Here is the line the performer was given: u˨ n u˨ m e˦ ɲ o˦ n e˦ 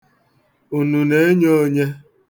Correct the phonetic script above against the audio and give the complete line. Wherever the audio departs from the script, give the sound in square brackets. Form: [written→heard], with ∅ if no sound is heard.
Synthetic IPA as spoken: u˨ n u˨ [m→n] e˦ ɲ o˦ [n→ɲ] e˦